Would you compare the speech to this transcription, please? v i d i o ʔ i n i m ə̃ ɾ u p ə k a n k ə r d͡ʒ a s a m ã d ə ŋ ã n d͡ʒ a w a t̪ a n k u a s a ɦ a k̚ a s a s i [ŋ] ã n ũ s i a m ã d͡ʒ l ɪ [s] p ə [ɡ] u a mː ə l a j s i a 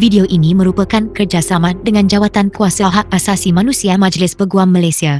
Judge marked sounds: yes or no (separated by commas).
no, yes, yes